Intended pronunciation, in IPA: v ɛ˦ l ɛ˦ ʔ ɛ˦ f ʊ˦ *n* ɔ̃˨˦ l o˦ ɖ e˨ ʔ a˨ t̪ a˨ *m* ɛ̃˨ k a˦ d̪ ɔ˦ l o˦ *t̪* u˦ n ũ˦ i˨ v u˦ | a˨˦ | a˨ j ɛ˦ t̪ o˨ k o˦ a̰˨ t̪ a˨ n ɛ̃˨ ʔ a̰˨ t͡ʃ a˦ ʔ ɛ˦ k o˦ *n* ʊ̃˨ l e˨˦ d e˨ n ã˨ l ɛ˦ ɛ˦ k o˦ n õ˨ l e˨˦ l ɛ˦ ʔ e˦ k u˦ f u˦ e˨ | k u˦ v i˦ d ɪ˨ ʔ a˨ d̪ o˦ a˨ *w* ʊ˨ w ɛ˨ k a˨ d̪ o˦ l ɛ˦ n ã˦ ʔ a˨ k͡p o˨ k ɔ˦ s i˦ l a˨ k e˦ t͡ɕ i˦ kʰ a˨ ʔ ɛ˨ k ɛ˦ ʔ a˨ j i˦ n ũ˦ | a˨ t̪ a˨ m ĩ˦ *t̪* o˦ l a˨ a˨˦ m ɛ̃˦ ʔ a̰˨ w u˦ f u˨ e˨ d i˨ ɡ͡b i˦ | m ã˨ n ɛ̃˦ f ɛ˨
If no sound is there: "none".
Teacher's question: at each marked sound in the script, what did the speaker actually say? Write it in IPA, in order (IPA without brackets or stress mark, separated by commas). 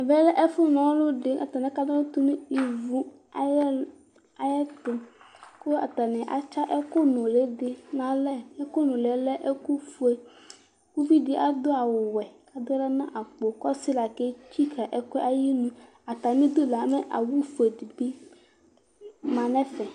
n, n, t̪, n, w, d̪